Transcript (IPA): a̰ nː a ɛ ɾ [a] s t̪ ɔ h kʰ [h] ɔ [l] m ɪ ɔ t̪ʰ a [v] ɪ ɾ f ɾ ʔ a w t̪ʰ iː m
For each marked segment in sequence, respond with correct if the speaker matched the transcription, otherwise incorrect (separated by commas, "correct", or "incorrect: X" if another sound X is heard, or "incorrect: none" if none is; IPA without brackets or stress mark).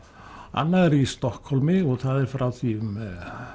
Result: incorrect: i, correct, correct, incorrect: ð